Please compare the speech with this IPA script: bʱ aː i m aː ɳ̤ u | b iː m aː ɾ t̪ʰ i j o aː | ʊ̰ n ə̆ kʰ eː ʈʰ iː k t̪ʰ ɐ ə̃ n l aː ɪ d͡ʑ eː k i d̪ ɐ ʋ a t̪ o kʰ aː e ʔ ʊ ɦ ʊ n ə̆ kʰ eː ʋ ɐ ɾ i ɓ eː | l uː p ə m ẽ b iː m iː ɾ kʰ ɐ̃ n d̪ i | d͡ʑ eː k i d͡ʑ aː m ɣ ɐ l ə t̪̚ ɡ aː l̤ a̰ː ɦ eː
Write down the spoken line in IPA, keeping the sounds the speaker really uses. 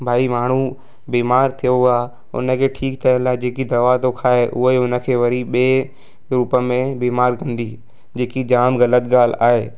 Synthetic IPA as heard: bʱ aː i m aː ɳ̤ u | b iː m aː ɾ t̪ʰ i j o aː | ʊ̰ n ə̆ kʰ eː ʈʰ iː k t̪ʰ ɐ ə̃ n l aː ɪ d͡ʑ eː k i d̪ ɐ ʋ a t̪ o kʰ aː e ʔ ʊ ɦ ʊ n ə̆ kʰ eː ʋ ɐ ɾ i ɓ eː | ɾ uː p ə m ẽ b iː m aː ɾ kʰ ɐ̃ n d̪ i | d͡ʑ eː k i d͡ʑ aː m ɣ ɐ l ə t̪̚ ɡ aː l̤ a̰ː ɦ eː